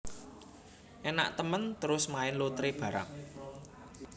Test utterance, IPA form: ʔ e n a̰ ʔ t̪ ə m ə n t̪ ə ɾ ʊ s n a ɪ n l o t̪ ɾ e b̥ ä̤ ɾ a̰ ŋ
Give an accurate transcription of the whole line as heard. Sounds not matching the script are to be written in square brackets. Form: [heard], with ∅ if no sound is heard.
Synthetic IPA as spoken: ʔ e n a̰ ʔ t̪ ə m ə n t̪ ə ɾ ʊ s [m] a ɪ n l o t̪ ɾ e b̥ ä̤ ɾ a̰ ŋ